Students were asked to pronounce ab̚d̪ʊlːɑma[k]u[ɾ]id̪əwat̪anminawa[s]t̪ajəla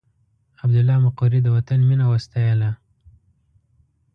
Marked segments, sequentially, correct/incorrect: incorrect: q, correct, correct

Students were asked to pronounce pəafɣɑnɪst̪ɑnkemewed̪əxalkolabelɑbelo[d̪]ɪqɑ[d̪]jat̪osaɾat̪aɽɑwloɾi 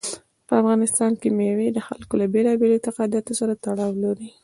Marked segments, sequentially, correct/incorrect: incorrect: t̪, correct

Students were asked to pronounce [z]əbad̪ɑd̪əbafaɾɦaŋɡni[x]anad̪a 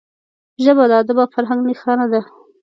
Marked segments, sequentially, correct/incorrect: incorrect: ʒ, correct

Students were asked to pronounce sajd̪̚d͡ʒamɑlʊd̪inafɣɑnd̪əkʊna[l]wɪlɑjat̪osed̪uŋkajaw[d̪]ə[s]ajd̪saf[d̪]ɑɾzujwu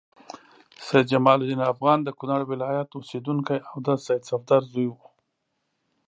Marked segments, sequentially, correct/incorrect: incorrect: ɽ, correct, correct, correct

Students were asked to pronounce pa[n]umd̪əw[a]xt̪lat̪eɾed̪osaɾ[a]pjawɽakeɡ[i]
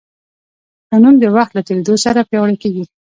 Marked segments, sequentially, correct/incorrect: correct, correct, correct, correct

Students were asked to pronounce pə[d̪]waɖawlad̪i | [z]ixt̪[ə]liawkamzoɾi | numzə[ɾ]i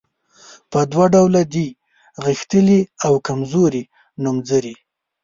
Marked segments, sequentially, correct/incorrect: correct, incorrect: ɣ, correct, correct

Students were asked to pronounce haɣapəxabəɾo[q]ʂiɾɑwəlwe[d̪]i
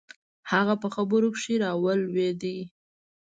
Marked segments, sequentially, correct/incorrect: incorrect: k, correct

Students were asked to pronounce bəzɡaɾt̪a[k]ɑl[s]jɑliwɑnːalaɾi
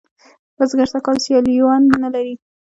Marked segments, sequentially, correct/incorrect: correct, correct

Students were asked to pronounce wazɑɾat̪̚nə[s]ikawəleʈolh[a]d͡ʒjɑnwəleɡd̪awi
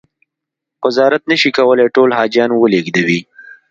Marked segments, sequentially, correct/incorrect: incorrect: ʃ, incorrect: ɑ

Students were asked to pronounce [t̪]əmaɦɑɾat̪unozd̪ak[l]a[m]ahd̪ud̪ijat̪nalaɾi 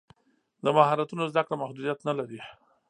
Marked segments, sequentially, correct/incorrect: incorrect: d̪, incorrect: ɽ, correct

